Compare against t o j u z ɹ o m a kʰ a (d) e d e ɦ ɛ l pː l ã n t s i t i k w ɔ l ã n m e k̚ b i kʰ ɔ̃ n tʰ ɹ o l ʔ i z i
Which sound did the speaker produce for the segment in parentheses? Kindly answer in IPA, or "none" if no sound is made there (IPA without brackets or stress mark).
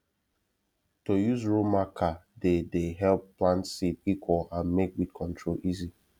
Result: d